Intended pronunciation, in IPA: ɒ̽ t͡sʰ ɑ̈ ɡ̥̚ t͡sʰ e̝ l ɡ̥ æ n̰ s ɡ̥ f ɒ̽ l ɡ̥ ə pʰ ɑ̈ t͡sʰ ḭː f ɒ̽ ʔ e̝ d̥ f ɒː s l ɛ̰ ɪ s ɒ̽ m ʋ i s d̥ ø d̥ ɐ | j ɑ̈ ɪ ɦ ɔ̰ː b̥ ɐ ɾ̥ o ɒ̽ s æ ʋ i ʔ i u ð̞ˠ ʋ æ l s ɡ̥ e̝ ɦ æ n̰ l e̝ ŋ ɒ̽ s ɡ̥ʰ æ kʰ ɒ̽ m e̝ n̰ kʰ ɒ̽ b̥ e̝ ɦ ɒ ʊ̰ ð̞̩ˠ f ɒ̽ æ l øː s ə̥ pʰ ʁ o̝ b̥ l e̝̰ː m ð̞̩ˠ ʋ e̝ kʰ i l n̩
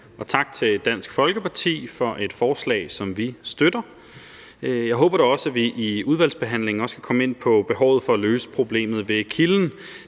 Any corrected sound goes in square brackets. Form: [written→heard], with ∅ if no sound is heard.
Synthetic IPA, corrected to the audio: ɒ̽ t͡sʰ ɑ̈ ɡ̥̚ t͡sʰ e̝ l [ɡ̥→d̥] æ n̰ s ɡ̥ f ɒ̽ l ɡ̥ ə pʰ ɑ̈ t͡sʰ ḭː f ɒ̽ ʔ e̝ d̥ f ɒː s l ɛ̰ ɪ s ɒ̽ m ʋ i s d̥ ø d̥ ɐ | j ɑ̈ ɪ ɦ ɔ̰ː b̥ ɐ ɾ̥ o ɒ̽ s æ ʋ i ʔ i u ð̞ˠ ʋ æ l s [ɡ̥→b̥] e̝ ɦ æ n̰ l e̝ ŋ ɒ̽ s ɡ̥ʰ æ kʰ ɒ̽ m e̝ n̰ [kʰ→pʰ] ɒ̽ b̥ e̝ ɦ ɒ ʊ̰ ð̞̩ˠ f ɒ̽ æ l øː s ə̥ pʰ ʁ o̝ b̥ l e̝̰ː m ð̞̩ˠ ʋ e̝ kʰ i l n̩